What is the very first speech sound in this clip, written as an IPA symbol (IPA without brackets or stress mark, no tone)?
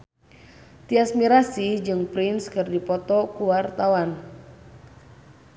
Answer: t̪